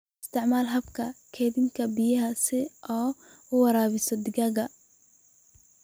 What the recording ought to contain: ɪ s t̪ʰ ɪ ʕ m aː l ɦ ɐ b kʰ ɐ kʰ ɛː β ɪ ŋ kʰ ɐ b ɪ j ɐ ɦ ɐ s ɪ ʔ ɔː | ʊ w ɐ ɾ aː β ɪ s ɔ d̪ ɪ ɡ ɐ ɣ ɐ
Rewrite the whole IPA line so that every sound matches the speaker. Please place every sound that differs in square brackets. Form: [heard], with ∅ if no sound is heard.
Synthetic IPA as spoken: ɪ s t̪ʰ ɪ ʕ m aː l ɦ ɐ b kʰ ɐ kʰ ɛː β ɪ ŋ kʰ ɐ b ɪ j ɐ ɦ ɐ s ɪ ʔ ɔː | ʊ w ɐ ɾ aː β ɪ s ɔ d̪ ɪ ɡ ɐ ɣ ɐ